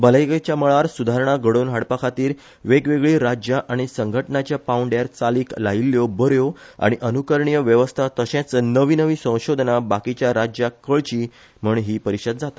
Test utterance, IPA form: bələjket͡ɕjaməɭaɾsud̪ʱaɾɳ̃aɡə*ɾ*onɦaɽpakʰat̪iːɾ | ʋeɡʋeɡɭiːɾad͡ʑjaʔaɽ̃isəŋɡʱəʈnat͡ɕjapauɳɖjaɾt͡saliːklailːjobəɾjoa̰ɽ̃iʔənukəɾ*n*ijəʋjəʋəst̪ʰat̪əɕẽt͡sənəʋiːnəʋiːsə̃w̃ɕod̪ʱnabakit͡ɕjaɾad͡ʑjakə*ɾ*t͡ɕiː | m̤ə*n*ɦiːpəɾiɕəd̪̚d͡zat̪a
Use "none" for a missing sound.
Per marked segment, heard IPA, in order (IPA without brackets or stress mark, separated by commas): ɽ, ɳ, ɭ, ɳ